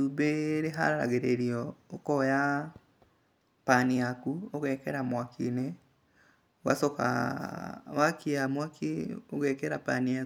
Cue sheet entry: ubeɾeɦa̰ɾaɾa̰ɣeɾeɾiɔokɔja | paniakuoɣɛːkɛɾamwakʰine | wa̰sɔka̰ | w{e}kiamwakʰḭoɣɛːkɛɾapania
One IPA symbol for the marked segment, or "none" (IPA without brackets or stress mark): a